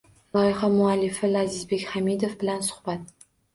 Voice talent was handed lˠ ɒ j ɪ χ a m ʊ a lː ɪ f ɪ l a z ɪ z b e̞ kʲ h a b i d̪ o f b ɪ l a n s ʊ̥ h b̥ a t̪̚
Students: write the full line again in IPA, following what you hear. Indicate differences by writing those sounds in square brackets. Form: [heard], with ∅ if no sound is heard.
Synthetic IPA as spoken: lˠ ɒ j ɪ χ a m ʊ a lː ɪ f ɪ l a z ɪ z b e̞ kʲ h a [m] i d̪ o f b ɪ l a n s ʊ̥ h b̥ a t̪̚